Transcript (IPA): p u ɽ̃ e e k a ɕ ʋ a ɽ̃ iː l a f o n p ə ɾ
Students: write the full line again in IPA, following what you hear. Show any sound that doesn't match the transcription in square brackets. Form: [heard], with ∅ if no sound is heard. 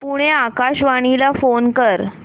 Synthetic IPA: p u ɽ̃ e [a] k a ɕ ʋ a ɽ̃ [i] l a f o n [k] ə ɾ